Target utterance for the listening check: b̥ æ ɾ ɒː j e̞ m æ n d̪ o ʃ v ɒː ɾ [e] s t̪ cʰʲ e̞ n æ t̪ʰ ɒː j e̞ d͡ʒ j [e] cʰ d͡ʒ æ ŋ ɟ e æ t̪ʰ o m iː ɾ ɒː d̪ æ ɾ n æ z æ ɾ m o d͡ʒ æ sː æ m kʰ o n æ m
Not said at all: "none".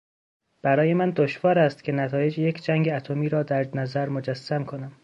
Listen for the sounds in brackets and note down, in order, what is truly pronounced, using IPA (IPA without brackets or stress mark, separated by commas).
æ, e